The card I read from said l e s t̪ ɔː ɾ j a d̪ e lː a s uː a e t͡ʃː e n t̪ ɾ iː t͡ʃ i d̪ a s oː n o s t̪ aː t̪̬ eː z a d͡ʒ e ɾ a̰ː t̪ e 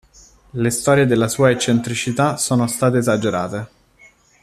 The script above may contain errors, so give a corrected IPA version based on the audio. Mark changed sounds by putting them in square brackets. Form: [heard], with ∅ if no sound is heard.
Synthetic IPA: l e s t̪ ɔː ɾ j [e] d̪ e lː a s uː a e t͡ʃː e n t̪ ɾ [i] t͡ʃ i [t̪] a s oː n o s t̪ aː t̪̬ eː z a d͡ʒ e ɾ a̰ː t̪ e